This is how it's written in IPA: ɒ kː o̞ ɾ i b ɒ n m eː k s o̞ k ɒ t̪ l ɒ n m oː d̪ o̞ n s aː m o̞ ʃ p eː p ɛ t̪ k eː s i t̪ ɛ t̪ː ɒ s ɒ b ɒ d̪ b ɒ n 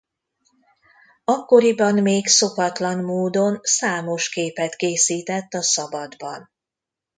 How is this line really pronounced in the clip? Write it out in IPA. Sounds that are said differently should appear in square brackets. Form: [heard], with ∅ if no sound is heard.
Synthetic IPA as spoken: ɒ kː o̞ ɾ i b ɒ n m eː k s o̞ k ɒ t̪ l ɒ n m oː d̪ o̞ n s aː m o̞ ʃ [k] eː p ɛ t̪ k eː s [iː] t̪ ɛ t̪ː ɒ s ɒ b ɒ d̪ b ɒ n